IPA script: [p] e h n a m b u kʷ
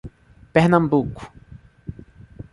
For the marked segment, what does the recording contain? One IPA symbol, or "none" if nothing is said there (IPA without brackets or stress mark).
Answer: p